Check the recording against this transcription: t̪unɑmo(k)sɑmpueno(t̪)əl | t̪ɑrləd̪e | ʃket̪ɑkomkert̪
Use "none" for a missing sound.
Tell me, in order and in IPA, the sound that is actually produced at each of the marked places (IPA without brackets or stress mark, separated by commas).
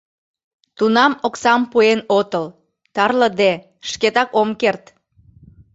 k, t̪